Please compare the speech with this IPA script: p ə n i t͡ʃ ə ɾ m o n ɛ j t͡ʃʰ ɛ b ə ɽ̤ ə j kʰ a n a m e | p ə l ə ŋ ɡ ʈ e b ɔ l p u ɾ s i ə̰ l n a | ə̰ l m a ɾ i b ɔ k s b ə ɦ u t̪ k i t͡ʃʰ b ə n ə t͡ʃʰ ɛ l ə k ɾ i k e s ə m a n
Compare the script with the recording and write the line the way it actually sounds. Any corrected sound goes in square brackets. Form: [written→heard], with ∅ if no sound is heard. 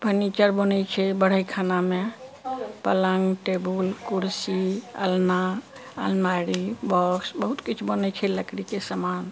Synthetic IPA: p ə n i t͡ʃ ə ɾ [m→b] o n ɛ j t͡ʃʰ ɛ b ə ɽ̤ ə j kʰ a n a m e | p ə l ə ŋ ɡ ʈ e b [ɔ→u] l [p→k] u ɾ s i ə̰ l n a | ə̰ l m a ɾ i b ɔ k s b ə ɦ u t̪ k i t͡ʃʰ b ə n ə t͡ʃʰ ɛ l ə k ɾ i k e s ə m a n